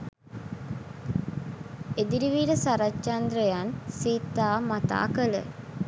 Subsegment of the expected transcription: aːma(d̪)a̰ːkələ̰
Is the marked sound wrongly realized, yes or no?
yes